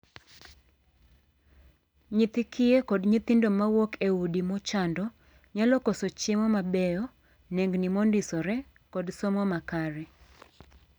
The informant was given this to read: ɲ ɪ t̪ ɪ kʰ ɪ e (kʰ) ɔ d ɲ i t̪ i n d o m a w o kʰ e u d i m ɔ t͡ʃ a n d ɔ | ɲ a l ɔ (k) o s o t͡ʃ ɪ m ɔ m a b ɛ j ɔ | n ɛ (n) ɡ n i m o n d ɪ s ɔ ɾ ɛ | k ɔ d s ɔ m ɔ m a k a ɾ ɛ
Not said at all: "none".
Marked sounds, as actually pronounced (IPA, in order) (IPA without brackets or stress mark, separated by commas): k, k, ŋ